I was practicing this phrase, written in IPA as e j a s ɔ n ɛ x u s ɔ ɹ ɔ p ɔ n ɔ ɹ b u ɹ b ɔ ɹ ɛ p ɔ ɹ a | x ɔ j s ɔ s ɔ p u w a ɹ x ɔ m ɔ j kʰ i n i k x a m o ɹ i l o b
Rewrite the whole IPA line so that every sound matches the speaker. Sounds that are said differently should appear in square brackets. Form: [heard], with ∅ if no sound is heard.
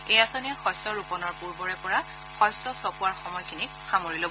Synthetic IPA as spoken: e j a s ɔ n ɛ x [ɔ] s ɔ ɹ [u] p ɔ n ɔ ɹ [p] u ɹ b ɔ ɹ ɛ p ɔ ɹ a | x ɔ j s ɔ s ɔ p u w a ɹ x ɔ m ɔ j kʰ i n i k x a m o ɹ i l o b